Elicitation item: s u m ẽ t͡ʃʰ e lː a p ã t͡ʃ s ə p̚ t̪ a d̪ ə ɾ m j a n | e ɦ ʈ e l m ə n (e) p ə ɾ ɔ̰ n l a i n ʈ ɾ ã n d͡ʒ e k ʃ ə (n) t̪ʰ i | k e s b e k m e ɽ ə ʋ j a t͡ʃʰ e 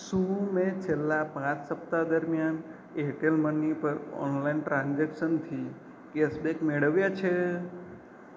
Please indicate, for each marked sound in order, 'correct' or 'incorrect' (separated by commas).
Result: incorrect, correct